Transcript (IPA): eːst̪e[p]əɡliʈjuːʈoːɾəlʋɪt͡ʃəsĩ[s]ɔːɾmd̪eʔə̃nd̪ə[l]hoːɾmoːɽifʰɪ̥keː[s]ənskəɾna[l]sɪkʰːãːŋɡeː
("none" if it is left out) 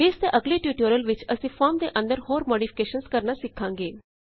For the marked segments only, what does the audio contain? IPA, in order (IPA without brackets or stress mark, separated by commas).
ʔ, f, ɾ, ʃ, none